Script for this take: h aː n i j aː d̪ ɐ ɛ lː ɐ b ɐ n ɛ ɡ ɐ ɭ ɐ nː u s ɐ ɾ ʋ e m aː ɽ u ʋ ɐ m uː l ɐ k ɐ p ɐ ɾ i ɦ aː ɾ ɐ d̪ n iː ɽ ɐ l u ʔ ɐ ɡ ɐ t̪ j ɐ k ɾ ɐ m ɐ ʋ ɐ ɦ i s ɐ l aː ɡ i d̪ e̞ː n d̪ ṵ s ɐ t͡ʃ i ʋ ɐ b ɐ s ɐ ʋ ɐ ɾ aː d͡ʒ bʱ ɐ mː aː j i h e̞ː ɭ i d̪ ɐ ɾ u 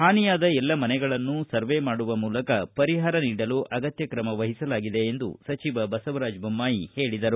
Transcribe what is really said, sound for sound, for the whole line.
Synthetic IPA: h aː n i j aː d̪ ɐ ɛ lː ɐ m ɐ n ɛ ɡ ɐ ɭ ɐ nː u s ɐ ɾ ʋ e m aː ɽ u ʋ ɐ m uː l ɐ k ɐ p ɐ ɾ i ɦ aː ɾ ɐ n iː ɽ ɐ l u ʔ ɐ ɡ ɐ t̪ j ɐ k ɾ ɐ m ɐ ʋ ɐ ɦ i s ɐ l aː ɡ i d̪ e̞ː n d̪ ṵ s ɐ t͡ʃ i ʋ ɐ b ɐ s ɐ ʋ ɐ ɾ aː d͡ʒ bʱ ɐ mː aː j i h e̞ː ɭ i d̪ ɐ ɾ u